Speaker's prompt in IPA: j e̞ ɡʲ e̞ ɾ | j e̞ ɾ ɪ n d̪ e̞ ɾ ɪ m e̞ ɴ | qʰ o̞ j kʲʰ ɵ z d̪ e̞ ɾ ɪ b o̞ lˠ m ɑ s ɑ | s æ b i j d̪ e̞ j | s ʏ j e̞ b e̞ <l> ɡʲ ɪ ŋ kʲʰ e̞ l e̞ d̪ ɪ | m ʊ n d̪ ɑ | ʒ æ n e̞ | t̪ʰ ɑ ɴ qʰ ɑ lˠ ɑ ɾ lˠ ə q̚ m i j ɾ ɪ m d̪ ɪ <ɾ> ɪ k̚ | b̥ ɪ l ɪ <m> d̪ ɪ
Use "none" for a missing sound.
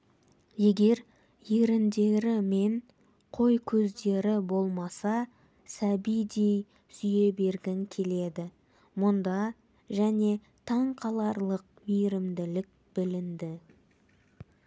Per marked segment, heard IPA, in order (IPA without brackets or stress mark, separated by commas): ɾ, l, n